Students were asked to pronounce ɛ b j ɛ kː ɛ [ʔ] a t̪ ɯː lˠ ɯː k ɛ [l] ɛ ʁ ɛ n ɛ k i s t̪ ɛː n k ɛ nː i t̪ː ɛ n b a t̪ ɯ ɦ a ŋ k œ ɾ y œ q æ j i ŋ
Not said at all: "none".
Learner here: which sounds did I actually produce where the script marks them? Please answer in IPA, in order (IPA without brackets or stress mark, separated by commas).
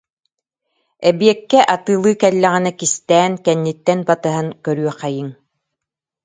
ʔ, lː